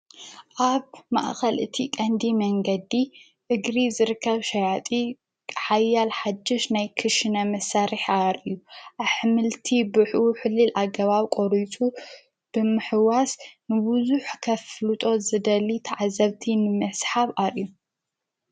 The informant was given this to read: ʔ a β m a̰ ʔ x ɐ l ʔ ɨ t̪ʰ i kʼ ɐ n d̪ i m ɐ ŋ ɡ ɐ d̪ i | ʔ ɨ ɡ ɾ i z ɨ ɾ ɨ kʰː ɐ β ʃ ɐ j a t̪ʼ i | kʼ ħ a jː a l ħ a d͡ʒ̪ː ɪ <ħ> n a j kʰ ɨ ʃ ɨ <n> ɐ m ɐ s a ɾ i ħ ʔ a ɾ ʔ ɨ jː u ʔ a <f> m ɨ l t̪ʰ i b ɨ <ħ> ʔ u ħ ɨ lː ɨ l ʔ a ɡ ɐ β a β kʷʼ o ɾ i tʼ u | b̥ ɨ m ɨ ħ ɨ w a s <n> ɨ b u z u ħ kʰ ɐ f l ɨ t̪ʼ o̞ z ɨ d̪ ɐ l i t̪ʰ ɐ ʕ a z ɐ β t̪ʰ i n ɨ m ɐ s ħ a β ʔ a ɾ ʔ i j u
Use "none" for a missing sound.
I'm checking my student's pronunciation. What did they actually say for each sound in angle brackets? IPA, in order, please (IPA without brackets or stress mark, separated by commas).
ʃ, n, ħ, ħ, n